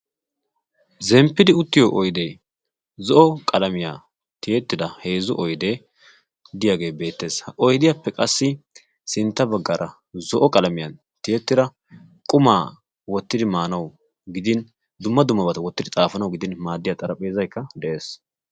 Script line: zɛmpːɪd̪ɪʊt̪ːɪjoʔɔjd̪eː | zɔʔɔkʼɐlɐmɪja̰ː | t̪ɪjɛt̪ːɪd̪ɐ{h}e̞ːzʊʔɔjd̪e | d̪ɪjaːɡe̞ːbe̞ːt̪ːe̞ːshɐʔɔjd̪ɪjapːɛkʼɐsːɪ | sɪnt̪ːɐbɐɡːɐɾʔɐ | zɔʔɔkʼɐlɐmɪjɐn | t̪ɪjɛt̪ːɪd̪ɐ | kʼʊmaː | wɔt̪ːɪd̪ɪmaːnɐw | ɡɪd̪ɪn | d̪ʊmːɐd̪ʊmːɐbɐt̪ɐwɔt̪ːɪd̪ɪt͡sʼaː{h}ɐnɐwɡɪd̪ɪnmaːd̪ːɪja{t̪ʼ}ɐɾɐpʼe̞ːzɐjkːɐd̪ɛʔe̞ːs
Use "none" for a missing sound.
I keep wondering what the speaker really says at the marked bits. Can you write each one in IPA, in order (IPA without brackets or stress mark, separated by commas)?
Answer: h, f, t̪ʼ